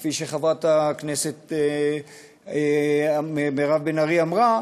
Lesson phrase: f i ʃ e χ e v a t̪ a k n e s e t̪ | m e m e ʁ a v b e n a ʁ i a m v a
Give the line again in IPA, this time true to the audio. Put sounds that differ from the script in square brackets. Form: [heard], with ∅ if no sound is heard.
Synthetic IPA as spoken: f i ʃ e χ [a] v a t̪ a k n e s e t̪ | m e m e ʁ a v b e n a ʁ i a m [ʁ] a